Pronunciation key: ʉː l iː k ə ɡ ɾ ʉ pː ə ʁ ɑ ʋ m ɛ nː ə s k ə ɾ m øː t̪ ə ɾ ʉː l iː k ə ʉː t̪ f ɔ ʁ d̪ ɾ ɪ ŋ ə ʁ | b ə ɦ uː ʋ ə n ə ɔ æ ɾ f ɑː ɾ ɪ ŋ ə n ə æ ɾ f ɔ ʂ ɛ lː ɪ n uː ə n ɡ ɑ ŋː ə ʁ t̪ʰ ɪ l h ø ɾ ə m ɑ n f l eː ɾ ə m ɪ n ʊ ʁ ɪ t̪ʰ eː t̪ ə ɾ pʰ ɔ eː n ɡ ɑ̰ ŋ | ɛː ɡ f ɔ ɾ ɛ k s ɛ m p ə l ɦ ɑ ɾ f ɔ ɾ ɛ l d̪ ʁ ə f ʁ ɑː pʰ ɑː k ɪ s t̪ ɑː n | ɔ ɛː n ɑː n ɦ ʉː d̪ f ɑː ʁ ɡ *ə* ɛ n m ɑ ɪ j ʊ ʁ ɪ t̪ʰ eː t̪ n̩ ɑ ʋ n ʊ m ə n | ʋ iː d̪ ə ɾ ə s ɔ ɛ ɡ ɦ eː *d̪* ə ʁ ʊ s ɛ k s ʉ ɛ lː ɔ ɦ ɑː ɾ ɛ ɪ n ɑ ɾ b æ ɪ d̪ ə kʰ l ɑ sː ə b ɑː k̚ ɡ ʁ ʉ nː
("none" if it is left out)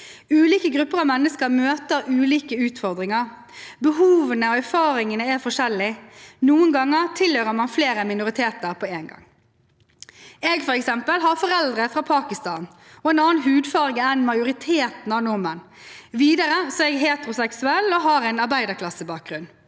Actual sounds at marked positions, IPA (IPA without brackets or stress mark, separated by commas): ə, t̪